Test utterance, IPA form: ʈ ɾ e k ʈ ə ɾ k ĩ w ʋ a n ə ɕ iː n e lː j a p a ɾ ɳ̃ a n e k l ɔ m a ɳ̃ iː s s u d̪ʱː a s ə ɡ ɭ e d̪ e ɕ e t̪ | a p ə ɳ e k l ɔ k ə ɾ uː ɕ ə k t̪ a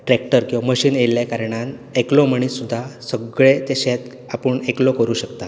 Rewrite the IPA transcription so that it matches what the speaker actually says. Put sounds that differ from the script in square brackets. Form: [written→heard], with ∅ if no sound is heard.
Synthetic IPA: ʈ ɾ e k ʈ ə ɾ k ĩ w ʋ a [n→m] ə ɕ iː n e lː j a [p→k] a ɾ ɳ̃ a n e k l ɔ m [a→ə] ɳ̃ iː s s u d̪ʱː a s ə ɡ ɭ e [d̪→t̪] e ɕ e t̪ | a p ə ɳ e k l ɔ k ə ɾ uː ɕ ə k t̪ a